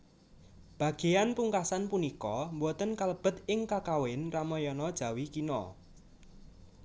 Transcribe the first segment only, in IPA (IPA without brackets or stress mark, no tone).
b̥